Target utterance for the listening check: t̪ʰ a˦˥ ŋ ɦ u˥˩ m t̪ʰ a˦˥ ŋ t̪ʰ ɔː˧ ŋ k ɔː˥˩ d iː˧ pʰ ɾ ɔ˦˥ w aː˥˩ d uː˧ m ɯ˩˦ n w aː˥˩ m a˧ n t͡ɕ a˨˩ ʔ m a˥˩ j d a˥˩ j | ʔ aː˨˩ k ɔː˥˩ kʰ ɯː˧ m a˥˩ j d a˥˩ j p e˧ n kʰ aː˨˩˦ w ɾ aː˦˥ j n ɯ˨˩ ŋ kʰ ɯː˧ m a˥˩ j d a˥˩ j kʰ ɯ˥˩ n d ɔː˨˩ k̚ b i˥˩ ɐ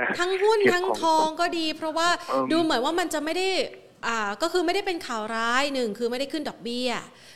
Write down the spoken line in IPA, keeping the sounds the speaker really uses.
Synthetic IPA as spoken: t̪ʰ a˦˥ ŋ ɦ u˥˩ n t̪ʰ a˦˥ ŋ t̪ʰ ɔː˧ ŋ k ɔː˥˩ d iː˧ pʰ ɾ ɔ˦˥ w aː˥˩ d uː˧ m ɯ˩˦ n w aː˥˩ m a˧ n t͡ɕ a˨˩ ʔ m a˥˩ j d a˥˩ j | ʔ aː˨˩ k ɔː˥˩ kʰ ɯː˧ m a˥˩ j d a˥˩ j p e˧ n kʰ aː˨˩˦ w ɾ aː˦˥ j n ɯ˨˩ ŋ kʰ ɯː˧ m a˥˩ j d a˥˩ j kʰ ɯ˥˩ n d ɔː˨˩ k̚ b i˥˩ ɐ